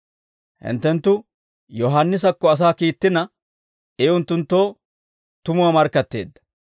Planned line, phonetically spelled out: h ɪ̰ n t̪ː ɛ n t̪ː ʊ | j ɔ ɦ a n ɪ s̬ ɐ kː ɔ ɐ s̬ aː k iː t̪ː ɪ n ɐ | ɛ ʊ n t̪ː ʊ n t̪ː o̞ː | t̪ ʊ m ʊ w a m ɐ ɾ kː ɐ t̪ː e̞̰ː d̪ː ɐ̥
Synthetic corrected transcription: h ɪ̰ n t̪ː ɛ n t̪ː ʊ | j ɔ ɦ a nː ɪ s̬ ɐ kː ɔ ɐ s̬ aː k iː t̪ː ɪ n ɐ | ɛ ʊ n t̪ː ʊ n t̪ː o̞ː | t̪ ʊ m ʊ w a m ɐ ɾ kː ɐ t̪ː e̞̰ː d̪ː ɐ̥